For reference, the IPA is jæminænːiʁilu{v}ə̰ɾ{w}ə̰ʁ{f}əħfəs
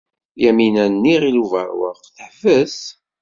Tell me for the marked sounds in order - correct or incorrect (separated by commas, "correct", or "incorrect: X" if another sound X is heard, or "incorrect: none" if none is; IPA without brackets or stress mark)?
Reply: correct, correct, incorrect: θ